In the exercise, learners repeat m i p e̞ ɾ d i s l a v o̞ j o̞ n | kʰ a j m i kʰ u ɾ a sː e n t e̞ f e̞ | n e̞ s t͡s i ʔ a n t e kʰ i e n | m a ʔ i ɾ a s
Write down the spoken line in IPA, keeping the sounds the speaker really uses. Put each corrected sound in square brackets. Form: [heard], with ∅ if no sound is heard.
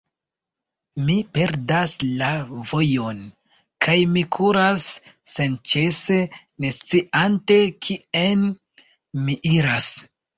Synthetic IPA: m i p e̞ ɾ d [a] s l a v o̞ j o̞ n | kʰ a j m i kʰ u ɾ a sː e n [t͡ʃ] e̞ [s] e̞ | n e̞ s t͡s i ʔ a n t e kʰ i e n | m [i] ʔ i ɾ a s